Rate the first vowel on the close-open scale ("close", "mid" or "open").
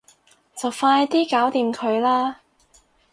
open